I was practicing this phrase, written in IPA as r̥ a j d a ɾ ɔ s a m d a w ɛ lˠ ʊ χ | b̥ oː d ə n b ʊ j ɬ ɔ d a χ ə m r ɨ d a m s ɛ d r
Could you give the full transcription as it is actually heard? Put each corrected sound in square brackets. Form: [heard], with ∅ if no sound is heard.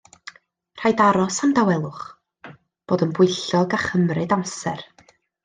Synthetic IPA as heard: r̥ a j d a ɾ ɔ s a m d a w ɛ lˠ ʊ χ | b̥ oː d ə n b ʊ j ɬ ɔ [ɡ] a χ ə m r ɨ d a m s ɛ [∅] r

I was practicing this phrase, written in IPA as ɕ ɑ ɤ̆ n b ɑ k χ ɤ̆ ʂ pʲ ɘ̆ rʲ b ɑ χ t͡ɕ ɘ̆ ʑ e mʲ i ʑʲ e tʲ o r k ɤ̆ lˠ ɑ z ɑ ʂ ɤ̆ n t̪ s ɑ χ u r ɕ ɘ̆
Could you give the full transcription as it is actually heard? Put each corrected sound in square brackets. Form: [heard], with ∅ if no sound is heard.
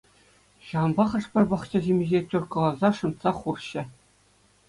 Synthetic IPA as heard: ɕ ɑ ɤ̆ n b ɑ [∅] χ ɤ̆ ʂ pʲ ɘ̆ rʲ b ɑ χ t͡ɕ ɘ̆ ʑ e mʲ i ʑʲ e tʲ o r k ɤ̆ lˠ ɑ z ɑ ʂ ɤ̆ n t̪ s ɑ χ u r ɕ ɘ̆

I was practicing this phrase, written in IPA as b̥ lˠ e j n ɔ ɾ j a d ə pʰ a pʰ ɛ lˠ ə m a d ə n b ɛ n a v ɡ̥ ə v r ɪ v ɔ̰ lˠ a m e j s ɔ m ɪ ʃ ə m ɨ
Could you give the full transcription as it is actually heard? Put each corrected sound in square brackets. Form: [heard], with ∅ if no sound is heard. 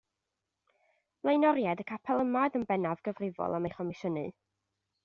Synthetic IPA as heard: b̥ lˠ e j n ɔ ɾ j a d ə [kʰ] a pʰ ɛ lˠ ə m a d ə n b ɛ n a v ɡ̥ ə v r ɪ v ɔ̰ lˠ a m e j [χ] ɔ m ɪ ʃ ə [n] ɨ

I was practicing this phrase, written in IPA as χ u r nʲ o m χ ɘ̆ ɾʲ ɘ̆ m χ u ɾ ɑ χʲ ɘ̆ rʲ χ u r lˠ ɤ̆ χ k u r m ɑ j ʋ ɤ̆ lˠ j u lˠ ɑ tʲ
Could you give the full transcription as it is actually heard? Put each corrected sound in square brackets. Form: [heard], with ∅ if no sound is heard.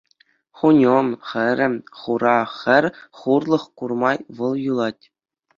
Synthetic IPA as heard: χ u [∅] nʲ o m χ ɘ̆ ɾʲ ɘ̆ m χ u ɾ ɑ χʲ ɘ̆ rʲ χ u r lˠ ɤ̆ χ k u r m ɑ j ʋ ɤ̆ lˠ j u lˠ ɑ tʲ

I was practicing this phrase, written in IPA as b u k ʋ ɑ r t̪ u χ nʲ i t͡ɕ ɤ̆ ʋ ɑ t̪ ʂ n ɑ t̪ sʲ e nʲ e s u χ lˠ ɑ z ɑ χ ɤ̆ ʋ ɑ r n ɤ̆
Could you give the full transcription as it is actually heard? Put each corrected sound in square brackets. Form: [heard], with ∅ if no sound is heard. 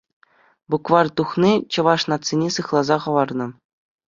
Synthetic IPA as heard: b u k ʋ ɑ r t̪ u χ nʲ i t͡ɕ ɤ̆ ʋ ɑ [∅] ʂ n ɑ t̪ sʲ e nʲ e s [ɯ] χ lˠ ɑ z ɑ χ ɤ̆ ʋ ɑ r n ɤ̆

